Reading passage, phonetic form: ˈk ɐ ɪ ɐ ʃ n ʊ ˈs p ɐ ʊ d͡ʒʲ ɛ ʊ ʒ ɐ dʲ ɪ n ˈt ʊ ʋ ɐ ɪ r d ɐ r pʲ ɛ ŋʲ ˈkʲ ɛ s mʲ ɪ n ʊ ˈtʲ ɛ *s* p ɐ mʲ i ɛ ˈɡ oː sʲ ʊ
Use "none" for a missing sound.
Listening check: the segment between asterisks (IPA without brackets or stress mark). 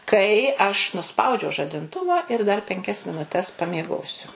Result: s